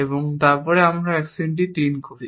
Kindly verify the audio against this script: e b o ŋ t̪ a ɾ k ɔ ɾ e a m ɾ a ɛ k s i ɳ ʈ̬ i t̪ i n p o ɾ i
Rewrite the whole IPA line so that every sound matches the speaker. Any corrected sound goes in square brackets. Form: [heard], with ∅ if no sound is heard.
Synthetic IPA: e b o ŋ t̪ a ɾ [p] ɔ ɾ e a m ɾ a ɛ k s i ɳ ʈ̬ i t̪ i n [k] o ɾ i

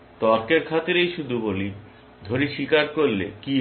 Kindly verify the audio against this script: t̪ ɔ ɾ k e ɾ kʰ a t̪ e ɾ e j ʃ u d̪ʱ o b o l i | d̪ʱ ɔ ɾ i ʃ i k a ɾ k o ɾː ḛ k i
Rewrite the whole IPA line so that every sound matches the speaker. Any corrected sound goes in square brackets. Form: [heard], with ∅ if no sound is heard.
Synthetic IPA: t̪ ɔ ɾ k e ɾ kʰ a t̪ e ɾ e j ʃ u d̪ʱ [u] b o l i | d̪ʱ [o] ɾ i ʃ i k a ɾ k o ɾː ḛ k i

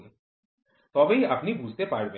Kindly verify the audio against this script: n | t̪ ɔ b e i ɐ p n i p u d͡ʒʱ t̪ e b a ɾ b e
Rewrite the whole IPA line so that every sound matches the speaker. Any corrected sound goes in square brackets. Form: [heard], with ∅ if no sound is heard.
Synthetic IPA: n | t̪ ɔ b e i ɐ p n i [b] u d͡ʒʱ t̪ e [p] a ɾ b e

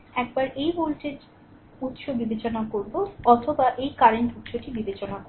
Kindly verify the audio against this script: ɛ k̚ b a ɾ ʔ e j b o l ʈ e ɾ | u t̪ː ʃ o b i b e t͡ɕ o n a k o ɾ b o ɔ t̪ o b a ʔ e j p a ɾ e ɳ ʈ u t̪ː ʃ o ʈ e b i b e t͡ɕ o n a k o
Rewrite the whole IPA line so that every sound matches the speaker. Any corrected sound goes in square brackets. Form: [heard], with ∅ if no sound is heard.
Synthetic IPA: ɛ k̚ b a ɾ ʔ e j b o l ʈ e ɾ | u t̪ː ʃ o b i b e t͡ɕ o n a k o ɾ b o ɔ [t̪ʰ] o b a ʔ e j [k] a ɾ e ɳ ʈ u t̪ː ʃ o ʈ [i] b i b e t͡ɕ o n a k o

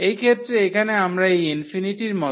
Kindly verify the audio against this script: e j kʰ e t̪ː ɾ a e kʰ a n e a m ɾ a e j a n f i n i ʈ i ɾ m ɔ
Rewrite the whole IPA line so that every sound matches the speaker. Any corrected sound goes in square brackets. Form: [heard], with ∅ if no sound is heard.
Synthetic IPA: e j kʰ e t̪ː ɾ [e] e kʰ a n e a m ɾ a e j [i] n f i n i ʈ i ɾ m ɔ

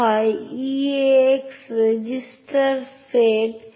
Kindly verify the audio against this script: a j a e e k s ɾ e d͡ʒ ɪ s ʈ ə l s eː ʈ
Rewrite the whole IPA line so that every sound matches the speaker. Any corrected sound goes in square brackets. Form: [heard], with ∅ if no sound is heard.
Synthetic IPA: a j [i] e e k s ɾ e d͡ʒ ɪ s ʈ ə [ɾ] s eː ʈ

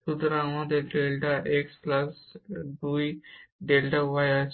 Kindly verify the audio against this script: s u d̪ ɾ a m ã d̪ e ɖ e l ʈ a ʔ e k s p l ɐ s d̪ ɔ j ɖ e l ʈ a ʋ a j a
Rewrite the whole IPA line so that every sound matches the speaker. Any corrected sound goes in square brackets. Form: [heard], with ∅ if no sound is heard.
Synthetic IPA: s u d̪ ɾ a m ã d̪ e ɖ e l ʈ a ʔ e k s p l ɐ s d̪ [u] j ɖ e l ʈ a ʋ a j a

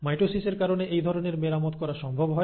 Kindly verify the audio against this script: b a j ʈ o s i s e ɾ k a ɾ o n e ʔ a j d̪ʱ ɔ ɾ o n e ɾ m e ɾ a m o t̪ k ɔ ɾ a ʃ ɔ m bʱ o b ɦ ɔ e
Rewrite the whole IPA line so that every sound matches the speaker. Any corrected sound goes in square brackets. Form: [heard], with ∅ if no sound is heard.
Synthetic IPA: [m] a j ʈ o s i s e ɾ k a ɾ o n e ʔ [e] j d̪ʱ ɔ ɾ o n e ɾ m e ɾ a m o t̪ k ɔ ɾ a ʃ ɔ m bʱ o b ɦ ɔ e

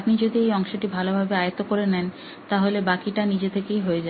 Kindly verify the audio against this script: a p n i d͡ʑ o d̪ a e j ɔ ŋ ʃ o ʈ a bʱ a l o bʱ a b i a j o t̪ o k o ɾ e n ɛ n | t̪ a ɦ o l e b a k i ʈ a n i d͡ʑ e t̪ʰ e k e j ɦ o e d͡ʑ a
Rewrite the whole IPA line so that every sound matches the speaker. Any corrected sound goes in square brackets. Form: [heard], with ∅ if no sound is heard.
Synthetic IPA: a p n i d͡ʑ o d̪ [i] e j ɔ ŋ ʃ o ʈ [i] bʱ a l o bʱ a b [e] a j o t̪ o k o ɾ e n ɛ n | t̪ a ɦ o l e b a k i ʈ a n i d͡ʑ e t̪ʰ e k e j ɦ o e d͡ʑ a

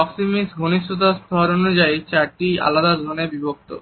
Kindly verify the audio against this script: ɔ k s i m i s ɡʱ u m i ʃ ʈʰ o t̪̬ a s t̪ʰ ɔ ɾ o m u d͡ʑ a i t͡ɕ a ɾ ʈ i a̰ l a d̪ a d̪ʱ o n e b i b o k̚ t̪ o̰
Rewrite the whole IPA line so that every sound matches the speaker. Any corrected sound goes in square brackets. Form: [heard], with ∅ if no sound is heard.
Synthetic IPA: ɔ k s i m i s ɡʱ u [n] i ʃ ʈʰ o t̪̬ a s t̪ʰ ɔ ɾ o [n] u d͡ʑ a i t͡ɕ a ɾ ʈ i a̰ l a d̪ a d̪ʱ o n e b i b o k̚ t̪ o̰

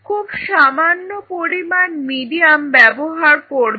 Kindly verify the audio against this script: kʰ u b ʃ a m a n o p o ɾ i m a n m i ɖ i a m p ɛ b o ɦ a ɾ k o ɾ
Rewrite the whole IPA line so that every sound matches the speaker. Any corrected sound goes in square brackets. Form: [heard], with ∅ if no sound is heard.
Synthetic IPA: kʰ u b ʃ a m a [nː] o p o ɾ i m a n m i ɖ i a m [b] ɛ b o ɦ a ɾ k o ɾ

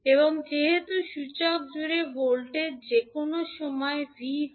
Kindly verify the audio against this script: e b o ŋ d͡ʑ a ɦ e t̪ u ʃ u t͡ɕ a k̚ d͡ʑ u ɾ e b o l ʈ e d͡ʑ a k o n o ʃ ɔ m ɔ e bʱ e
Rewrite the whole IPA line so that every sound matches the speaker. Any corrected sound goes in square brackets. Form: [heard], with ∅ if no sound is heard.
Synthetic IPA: e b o ŋ d͡ʑ [e] ɦ e t̪ u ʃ u t͡ɕ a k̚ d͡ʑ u ɾ e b o l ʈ e d͡ʑ [e] k o n o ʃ ɔ m ɔ e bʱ [i]

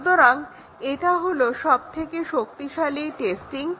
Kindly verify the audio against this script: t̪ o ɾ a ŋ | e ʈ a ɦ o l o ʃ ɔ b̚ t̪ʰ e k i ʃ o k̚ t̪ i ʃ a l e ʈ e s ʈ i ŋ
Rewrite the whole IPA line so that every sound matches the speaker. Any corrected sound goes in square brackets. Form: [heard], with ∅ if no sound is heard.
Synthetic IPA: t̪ o ɾ a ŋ | e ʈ a ɦ o l o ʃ ɔ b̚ t̪ʰ e k [e] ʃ o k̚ t̪ i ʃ a l [i] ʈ e s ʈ i ŋ

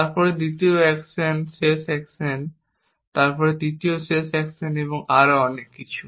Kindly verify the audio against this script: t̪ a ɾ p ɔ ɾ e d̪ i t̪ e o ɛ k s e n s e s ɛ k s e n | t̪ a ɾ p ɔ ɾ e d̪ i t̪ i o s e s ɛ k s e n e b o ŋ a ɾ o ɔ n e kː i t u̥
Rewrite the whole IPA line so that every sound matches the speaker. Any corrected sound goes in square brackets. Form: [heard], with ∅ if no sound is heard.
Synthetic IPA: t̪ a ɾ p ɔ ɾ e d̪ i t̪ [i] o ɛ k s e n s e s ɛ k s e n | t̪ a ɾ p ɔ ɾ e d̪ i t̪ i o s e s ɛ k s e n e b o ŋ a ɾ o ɔ n e kː i [t͡ɕʰ] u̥

